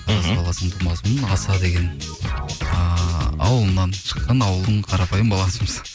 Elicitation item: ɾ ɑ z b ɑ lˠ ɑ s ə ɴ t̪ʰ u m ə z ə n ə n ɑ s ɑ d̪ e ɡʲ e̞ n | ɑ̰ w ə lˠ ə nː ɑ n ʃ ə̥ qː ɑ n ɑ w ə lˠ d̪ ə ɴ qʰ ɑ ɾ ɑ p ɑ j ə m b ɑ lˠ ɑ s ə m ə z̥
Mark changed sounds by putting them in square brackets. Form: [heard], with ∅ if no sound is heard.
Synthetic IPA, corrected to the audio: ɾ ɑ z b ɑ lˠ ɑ s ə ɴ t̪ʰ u m [ɑ] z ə [m] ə n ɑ s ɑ d̪ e ɡʲ e̞ n | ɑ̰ w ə lˠ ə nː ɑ n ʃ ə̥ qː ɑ n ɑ w ə lˠ d̪ ə ɴ qʰ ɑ ɾ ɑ p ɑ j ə m b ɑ lˠ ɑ s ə m ə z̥